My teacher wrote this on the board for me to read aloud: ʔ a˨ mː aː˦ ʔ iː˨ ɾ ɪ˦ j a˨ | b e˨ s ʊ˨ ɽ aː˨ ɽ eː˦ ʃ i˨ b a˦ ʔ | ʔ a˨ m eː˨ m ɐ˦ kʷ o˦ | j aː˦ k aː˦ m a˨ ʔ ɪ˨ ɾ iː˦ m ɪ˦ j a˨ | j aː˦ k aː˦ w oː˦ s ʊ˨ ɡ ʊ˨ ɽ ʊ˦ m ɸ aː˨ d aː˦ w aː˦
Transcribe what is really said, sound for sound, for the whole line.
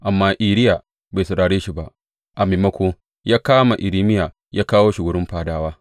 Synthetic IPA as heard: ʔ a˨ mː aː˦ ʔ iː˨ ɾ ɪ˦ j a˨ | b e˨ s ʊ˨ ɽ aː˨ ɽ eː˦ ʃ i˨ b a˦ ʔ | ʔ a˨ m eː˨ m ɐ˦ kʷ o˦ | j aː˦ k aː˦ m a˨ ʔ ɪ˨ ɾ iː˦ m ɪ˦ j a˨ | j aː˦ k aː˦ w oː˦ ʃ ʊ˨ ɡ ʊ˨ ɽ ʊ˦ m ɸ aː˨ d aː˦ w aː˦